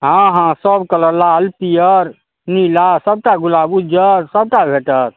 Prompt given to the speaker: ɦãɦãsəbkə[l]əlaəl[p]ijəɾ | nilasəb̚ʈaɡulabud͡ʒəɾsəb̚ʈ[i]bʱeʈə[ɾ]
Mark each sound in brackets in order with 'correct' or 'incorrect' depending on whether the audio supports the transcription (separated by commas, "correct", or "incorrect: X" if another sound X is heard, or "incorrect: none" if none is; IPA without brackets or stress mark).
correct, correct, incorrect: a, correct